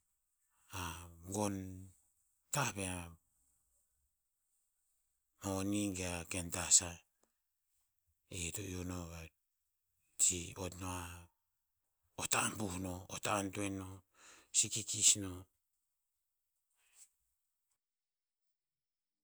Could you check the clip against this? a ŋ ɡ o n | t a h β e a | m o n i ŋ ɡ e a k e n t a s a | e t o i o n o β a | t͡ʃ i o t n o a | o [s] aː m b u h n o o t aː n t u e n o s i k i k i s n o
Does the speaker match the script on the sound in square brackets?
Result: no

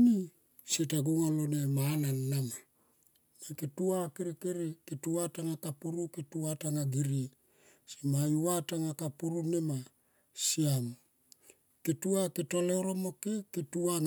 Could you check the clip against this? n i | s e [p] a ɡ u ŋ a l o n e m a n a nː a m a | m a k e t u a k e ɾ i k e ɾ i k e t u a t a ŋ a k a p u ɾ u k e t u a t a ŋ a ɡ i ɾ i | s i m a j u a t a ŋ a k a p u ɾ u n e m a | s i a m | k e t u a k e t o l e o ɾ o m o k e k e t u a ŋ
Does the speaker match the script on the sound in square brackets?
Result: no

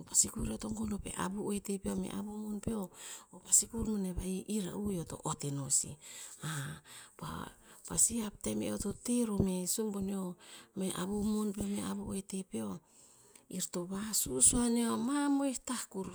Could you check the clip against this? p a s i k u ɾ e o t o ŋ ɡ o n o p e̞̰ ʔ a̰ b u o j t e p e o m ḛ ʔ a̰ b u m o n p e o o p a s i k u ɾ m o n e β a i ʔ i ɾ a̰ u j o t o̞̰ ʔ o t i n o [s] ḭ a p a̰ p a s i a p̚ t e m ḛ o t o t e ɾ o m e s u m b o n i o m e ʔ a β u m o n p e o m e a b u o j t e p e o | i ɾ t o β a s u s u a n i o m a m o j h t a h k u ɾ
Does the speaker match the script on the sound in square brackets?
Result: yes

